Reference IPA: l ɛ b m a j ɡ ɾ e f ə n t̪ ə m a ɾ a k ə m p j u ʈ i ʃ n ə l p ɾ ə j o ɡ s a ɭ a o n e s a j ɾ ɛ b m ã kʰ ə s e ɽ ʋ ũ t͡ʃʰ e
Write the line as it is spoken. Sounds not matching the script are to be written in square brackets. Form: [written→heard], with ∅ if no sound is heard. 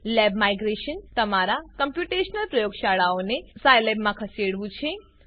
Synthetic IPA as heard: l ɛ b m a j ɡ ɾ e [f→ʃ] ə n t̪ ə m a ɾ a k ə m p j u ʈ [i→e] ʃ n ə l p ɾ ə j o ɡ [s→ʃ] a ɭ a o n e s a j [ɾ→l] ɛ b m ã kʰ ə s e ɽ ʋ ũ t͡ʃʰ e